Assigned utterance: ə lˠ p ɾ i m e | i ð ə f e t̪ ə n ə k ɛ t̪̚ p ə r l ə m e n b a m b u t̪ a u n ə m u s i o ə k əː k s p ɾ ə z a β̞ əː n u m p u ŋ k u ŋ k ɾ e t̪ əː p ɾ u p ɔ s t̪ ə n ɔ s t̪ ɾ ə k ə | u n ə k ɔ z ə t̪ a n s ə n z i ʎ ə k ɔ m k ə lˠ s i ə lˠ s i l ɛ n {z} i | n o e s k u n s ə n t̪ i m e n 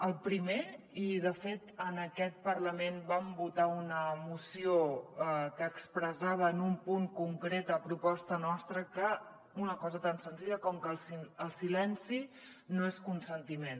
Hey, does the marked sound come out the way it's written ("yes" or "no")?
no